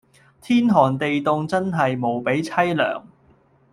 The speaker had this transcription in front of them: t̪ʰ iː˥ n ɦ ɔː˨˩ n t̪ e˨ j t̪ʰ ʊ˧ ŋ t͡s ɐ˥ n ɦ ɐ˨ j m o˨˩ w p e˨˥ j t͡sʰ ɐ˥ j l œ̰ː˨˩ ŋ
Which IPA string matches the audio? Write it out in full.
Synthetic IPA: t̪ʰ iː˥ n ɦ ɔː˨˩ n t̪ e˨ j t̪ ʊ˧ ŋ t͡s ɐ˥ n ɦ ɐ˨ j m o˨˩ w p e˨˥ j t͡sʰ ɐ˥ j l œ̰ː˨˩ ŋ